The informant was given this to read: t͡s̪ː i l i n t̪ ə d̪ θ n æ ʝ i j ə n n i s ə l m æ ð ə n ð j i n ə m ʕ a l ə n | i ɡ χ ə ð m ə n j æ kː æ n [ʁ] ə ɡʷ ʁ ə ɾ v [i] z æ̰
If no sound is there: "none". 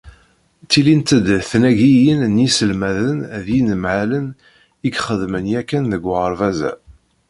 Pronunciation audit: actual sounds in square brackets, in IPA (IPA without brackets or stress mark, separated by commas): ð, æ